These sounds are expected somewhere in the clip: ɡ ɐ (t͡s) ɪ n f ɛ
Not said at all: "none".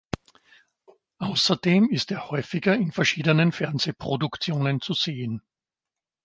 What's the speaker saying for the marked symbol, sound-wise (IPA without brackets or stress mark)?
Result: none